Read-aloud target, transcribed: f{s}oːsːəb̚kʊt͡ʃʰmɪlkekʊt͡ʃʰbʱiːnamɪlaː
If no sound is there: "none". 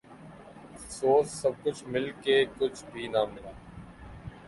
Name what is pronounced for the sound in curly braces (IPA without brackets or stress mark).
s